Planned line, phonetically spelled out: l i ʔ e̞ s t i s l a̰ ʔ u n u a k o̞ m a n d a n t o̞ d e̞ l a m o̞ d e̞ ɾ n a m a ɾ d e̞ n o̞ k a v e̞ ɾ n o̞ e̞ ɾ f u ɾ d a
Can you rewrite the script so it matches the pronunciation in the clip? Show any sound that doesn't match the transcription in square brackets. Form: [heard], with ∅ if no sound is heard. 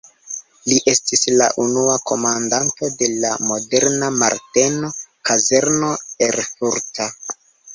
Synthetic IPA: l i ʔ e̞ s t i s l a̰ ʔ u n u a k o̞ m a n d a n t o̞ d e̞ l a m o̞ d e̞ ɾ n a m a ɾ [t] e̞ n o̞ k a [z] e̞ ɾ n o̞ e̞ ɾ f u ɾ [t] a